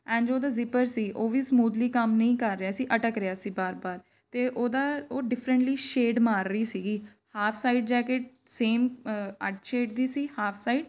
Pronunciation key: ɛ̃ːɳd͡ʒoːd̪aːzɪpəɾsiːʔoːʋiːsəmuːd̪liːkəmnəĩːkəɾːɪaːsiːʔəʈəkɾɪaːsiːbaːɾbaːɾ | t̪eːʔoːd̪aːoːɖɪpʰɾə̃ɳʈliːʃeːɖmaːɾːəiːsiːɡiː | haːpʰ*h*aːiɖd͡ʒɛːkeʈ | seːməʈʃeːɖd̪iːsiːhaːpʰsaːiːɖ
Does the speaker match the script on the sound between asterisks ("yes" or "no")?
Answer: no